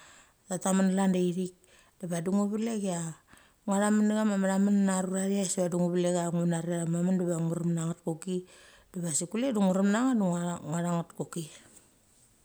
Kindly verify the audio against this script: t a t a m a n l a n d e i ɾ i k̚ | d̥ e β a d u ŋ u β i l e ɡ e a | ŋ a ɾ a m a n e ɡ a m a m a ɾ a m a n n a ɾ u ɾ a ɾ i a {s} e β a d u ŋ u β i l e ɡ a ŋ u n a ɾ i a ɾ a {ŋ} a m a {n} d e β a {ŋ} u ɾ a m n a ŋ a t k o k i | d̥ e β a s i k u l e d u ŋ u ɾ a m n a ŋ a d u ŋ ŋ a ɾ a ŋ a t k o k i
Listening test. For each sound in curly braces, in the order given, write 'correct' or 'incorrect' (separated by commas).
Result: correct, incorrect, correct, correct